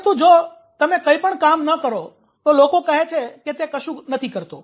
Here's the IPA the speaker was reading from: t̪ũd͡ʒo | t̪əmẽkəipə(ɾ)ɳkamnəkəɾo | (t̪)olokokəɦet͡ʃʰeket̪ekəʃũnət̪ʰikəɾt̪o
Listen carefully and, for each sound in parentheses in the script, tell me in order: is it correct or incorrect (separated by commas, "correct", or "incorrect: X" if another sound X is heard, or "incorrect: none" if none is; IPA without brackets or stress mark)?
incorrect: none, correct